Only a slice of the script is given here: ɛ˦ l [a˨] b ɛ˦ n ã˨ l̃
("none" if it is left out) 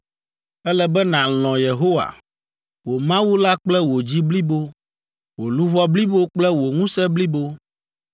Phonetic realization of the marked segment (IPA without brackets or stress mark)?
ɛ˨